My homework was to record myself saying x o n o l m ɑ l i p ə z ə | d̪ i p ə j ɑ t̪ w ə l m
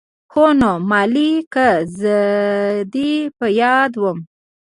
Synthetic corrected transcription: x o n o m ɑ l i k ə z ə | d̪ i p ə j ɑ d̪ w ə m